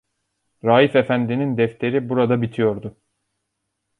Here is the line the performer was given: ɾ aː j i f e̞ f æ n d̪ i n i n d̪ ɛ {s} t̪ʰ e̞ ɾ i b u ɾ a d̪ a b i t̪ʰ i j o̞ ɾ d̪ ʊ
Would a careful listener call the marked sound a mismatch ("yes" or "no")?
yes